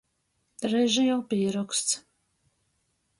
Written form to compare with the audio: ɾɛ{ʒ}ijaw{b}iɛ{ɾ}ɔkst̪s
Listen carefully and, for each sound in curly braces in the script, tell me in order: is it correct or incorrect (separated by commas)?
correct, incorrect, correct